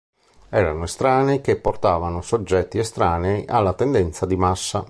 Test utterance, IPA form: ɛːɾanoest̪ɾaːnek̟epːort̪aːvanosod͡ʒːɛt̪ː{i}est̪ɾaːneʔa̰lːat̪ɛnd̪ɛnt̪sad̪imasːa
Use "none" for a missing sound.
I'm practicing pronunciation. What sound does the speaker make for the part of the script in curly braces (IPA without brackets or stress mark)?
i